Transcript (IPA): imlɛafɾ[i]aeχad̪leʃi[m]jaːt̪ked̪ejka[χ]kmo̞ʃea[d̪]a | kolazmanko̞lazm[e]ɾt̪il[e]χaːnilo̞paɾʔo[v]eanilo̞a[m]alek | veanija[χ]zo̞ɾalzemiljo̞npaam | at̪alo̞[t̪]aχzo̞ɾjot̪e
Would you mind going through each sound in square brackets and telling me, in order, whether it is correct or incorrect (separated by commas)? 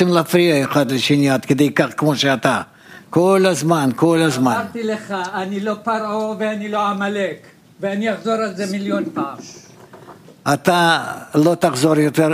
correct, incorrect, correct, incorrect, incorrect, correct, correct, correct, correct, correct